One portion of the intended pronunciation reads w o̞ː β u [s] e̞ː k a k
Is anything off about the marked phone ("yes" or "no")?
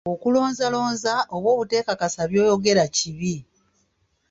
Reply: yes